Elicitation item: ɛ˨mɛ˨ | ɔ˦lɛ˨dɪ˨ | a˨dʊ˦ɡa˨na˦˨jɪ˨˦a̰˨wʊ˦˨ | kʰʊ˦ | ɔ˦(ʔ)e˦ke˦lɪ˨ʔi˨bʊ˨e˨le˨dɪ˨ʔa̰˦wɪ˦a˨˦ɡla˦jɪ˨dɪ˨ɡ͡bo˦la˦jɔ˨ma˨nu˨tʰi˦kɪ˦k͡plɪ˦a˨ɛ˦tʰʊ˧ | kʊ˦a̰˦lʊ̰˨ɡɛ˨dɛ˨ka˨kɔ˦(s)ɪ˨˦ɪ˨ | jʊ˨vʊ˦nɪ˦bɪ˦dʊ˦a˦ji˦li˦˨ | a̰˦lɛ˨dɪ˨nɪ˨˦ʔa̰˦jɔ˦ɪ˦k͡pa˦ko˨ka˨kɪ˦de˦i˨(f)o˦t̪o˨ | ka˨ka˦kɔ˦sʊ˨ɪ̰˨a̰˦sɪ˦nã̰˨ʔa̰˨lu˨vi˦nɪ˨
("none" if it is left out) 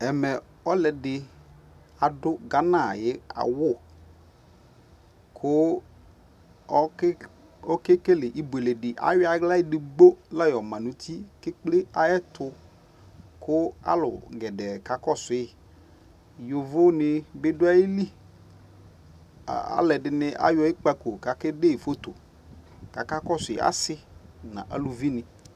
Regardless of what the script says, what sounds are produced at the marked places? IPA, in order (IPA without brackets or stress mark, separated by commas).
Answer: k, s, f